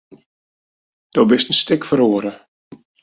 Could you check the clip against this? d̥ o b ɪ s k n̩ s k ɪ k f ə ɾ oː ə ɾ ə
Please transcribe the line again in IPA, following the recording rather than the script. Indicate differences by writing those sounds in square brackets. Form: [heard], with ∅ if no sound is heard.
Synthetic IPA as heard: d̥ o b ɪ s [t] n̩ s [t] ɪ k f ə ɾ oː ə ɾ ə